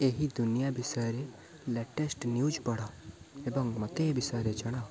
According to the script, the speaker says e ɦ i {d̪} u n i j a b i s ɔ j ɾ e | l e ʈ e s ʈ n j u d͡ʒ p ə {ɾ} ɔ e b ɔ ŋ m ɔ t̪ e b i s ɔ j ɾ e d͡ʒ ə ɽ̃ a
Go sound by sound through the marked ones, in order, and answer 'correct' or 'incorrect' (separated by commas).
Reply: correct, incorrect